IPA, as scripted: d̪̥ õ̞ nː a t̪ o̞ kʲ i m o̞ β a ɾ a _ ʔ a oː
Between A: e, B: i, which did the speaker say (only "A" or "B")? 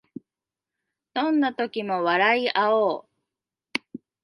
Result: B